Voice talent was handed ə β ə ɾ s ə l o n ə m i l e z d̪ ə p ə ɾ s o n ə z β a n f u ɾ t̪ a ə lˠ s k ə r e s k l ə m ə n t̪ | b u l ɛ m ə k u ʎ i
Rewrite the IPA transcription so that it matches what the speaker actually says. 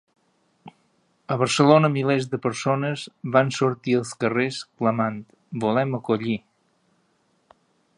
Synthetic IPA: ə β ə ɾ s ə l o n ə m i l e z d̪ ə p ə ɾ s o n ə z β a n s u ɾ t̪ i ə lˠ s k ə r e s k l ə m a n t̪ | b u l ɛ m ə k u ʎ i